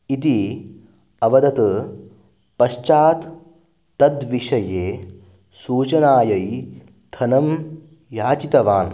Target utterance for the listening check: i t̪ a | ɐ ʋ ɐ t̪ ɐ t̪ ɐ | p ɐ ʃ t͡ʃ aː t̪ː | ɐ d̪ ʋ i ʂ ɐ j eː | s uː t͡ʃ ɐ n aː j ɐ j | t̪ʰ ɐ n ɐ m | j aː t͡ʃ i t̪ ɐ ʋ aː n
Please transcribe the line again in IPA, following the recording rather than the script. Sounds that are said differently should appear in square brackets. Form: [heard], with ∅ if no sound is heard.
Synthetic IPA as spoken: i t̪ [i] | ɐ ʋ ɐ [d̪] ɐ t̪ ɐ | p ɐ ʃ t͡ʃ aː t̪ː | ɐ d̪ ʋ i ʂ ɐ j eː | s uː t͡ʃ ɐ n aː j ɐ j | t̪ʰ ɐ n ɐ m | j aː t͡ʃ i t̪ ɐ ʋ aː n

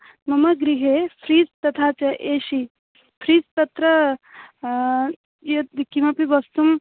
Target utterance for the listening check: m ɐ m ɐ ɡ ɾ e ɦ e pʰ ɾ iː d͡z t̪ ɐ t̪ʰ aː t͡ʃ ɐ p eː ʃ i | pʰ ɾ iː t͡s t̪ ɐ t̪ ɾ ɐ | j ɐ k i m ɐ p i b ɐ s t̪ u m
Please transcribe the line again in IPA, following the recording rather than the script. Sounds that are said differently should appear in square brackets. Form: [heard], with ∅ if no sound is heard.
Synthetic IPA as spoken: m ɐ m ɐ ɡ ɾ [i] ɦ e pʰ ɾ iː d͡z t̪ ɐ t̪ʰ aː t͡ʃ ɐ [ʔ] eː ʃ i | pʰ ɾ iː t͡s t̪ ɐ t̪ ɾ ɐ | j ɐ k i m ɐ p i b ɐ s t̪ u m

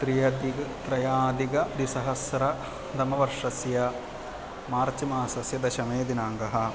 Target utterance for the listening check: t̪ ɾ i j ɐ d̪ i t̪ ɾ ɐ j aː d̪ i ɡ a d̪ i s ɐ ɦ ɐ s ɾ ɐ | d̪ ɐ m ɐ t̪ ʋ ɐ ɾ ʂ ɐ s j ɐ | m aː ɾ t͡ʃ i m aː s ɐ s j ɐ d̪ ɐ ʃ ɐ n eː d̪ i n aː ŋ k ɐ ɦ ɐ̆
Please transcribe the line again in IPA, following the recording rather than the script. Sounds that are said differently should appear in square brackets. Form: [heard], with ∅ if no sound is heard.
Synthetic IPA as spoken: t̪ ɾ i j ɐ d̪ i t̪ ɾ ɐ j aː d̪ i ɡ [ɐ] d̪ i s ɐ ɦ ɐ s ɾ ɐ | d̪ ɐ m ɐ [∅] ʋ ɐ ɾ ʂ ɐ s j ɐ | m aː ɾ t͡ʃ i m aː s ɐ s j ɐ d̪ ɐ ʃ ɐ [m] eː d̪ i n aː ŋ [ɡ] ɐ ɦ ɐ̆

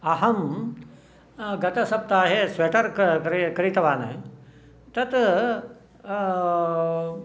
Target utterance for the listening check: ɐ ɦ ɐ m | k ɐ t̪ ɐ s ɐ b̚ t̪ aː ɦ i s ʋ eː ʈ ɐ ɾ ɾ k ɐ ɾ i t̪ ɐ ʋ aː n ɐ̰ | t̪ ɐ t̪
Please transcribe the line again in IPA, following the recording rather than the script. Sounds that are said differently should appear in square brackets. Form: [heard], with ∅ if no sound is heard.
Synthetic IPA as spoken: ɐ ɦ ɐ m | [ɡ] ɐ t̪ ɐ s ɐ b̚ t̪ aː ɦ [e] s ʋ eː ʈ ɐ ɾ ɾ k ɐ ɾ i t̪ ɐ ʋ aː n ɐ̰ | t̪ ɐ t̪

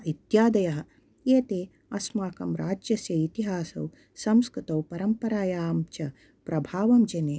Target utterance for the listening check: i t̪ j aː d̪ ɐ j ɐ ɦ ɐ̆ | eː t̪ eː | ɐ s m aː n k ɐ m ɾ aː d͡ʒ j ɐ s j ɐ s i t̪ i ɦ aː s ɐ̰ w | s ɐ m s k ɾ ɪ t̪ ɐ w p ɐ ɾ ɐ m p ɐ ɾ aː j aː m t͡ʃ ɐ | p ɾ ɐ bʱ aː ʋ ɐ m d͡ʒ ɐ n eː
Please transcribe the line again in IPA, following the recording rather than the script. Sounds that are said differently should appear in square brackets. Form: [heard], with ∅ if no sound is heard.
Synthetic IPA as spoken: i t̪ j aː d̪ ɐ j ɐ ɦ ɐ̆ | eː t̪ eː | ɐ s m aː [∅] k ɐ m ɾ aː d͡ʒ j ɐ s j ɐ [∅] i t̪ i ɦ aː s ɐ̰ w | s ɐ m s k ɾ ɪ t̪ ɐ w p ɐ ɾ ɐ m p ɐ ɾ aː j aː m t͡ʃ ɐ | p ɾ ɐ bʱ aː ʋ ɐ m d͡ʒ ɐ n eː

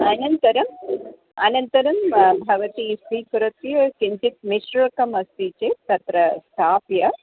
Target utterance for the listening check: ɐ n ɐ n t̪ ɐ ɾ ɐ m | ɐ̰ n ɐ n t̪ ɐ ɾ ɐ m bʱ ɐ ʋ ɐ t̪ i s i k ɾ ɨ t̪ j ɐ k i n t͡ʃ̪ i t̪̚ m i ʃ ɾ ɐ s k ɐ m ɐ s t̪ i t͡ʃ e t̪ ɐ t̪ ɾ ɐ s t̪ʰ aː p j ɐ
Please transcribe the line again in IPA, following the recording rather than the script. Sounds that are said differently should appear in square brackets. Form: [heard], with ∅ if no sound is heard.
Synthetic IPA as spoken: ɐ n ɐ n t̪ ɐ ɾ ɐ m | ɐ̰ n ɐ n t̪ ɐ ɾ ɐ m bʱ ɐ ʋ ɐ t̪ i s i k ɾ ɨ t̪ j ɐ k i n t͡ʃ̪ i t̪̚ m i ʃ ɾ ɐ [∅] k ɐ m ɐ s t̪ i t͡ʃ e t̪ ɐ t̪ ɾ ɐ s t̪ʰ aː p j ɐ

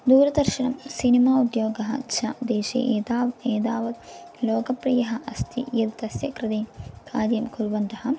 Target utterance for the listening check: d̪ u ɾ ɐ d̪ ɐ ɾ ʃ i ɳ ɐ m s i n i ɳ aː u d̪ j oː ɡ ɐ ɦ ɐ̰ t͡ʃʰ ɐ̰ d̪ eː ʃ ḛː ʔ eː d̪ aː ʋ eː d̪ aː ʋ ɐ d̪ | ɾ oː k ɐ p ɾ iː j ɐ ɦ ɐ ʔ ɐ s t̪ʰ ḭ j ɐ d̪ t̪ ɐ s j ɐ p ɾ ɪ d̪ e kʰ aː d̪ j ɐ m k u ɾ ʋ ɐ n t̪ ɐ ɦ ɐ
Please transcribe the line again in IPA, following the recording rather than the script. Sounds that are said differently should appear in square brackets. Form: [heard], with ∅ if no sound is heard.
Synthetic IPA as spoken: d̪ [uː] ɾ ɐ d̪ ɐ ɾ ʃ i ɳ ɐ m s i n i [m] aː u d̪ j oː ɡ ɐ ɦ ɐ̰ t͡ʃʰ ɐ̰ d̪ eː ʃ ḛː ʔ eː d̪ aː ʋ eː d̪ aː ʋ ɐ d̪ | [l] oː k ɐ p ɾ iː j ɐ ɦ ɐ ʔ ɐ s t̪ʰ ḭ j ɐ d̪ t̪ ɐ s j ɐ [k] ɾ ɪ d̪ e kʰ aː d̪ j ɐ m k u ɾ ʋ ɐ n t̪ ɐ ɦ ɐ

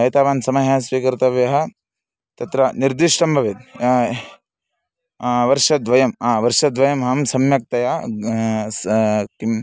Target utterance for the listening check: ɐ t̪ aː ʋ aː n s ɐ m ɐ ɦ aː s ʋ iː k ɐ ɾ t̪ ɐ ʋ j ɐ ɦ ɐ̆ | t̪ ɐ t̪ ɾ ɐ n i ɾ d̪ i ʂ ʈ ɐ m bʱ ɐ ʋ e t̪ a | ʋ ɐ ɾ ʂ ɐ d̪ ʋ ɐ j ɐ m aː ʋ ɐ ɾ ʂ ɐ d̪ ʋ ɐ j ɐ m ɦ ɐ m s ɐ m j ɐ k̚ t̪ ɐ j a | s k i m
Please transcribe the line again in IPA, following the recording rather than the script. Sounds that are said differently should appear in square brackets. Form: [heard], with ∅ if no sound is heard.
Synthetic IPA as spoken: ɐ t̪ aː ʋ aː n s ɐ m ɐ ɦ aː s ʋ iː k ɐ ɾ t̪ ɐ ʋ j ɐ ɦ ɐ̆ | t̪ ɐ t̪ ɾ ɐ n i ɾ d̪ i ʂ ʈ ɐ m bʱ ɐ ʋ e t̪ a | ʋ ɐ ɾ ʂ ɐ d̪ ʋ ɐ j ɐ m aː ʋ ɐ ɾ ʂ ɐ d̪ ʋ ɐ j ɐ m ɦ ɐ m s ɐ m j ɐ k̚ t̪ ɐ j a | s k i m

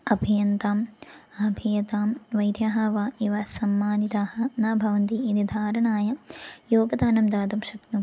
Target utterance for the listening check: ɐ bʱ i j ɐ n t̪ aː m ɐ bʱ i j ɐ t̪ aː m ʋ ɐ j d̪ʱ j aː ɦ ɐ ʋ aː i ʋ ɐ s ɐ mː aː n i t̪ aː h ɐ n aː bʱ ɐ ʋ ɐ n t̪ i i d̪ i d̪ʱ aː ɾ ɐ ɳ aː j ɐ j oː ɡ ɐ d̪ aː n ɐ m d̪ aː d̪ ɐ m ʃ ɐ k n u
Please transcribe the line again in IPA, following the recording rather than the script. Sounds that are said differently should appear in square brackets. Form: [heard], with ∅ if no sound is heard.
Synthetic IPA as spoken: ɐ bʱ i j ɐ n t̪ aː m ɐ bʱ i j ɐ t̪ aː m ʋ ɐ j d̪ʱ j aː ɦ ɐ ʋ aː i ʋ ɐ s ɐ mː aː n i t̪ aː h ɐ n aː bʱ ɐ ʋ ɐ n t̪ i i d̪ i d̪ʱ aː ɾ ɐ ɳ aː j ɐ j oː ɡ ɐ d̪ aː n ɐ m d̪ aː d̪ ɐ m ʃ ɐ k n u

